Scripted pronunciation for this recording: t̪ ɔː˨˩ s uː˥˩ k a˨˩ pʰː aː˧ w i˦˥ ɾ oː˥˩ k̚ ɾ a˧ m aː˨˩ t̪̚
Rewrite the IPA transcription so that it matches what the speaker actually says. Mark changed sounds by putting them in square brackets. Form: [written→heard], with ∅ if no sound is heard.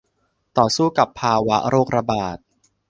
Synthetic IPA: t̪ ɔː˨˩ s uː˥˩ k a˨˩ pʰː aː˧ w [i˦˥→a˦˥] ɾ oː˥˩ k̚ ɾ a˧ [m→b] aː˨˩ t̪̚

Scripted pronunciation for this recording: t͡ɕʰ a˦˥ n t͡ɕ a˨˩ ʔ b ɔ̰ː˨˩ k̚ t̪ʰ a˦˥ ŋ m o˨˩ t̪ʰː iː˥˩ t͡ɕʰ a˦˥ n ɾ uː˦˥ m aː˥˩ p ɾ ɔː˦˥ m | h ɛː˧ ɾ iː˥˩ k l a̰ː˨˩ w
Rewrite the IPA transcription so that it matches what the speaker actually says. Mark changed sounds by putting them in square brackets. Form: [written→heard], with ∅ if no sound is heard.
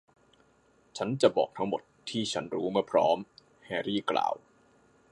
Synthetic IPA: t͡ɕʰ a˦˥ n t͡ɕ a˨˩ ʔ b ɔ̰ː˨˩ k̚ t̪ʰ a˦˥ ŋ m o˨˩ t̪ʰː iː˥˩ t͡ɕʰ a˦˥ n ɾ uː˦˥ m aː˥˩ [p→pʰ] ɾ ɔː˦˥ m | h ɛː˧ ɾ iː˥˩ k l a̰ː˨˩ w

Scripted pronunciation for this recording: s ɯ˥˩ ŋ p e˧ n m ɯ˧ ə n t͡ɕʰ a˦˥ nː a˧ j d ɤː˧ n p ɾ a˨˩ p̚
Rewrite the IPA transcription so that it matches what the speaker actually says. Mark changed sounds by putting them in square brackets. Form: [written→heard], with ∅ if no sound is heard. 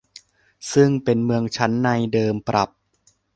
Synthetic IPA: s ɯ˥˩ ŋ p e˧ n m ɯ˧ ə [n→ŋ] t͡ɕʰ a˦˥ nː a˧ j d ɤː˧ [n→m] p ɾ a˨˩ p̚

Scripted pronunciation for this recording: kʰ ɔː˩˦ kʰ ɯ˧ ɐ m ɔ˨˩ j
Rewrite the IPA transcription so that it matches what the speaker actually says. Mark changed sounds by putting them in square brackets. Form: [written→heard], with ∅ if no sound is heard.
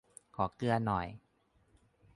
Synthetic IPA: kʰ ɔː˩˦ [kʰ→k] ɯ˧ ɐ [m→n] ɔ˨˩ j

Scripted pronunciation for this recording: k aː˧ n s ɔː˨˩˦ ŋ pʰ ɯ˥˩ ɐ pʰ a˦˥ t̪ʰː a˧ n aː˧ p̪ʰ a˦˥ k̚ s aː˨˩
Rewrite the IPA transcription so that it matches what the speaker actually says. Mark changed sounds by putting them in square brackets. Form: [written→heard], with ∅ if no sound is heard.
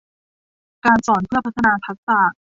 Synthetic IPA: k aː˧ n s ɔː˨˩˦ [ŋ→n] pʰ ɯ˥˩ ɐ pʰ a˦˥ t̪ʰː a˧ n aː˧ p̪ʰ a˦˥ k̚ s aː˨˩

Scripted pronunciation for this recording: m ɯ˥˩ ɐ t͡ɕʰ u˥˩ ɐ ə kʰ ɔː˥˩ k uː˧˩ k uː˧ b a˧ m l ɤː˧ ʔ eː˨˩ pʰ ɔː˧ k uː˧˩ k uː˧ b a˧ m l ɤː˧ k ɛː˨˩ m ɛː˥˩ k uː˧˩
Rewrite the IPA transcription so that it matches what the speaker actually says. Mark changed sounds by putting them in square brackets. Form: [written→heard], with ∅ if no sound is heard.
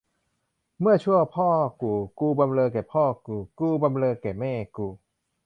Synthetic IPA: m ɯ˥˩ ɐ t͡ɕʰ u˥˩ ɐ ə [kʰ→pʰ] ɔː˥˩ k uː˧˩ k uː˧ b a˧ m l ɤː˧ [ʔ→k] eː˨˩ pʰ [ɔː˧→ɔː˥˩] k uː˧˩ k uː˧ b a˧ m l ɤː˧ k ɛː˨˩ m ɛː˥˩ k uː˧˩

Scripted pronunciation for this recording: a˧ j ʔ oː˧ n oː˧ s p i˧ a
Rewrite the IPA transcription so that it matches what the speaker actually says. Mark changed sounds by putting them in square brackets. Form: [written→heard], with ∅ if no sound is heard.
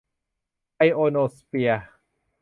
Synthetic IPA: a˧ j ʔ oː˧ n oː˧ s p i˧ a

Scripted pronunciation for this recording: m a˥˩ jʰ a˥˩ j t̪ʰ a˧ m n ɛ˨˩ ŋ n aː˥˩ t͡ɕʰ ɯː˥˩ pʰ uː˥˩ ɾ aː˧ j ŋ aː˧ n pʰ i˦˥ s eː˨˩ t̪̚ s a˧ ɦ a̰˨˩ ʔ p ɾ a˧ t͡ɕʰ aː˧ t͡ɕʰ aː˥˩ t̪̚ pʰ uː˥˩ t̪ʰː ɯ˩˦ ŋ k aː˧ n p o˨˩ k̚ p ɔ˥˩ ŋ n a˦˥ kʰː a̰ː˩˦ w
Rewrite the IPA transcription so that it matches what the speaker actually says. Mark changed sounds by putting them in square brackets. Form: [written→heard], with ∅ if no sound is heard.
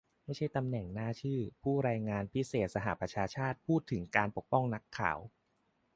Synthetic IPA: m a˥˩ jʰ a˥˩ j [t̪ʰ→t̪] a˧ m n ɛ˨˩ ŋ n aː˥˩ t͡ɕʰ ɯː˥˩ pʰ uː˥˩ ɾ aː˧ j ŋ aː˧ n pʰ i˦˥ s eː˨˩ t̪̚ s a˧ ɦ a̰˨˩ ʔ p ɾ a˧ t͡ɕʰ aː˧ t͡ɕʰ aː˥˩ t̪̚ pʰ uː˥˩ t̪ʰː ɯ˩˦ ŋ k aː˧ n p o˨˩ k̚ p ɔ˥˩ ŋ n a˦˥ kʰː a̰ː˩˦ w

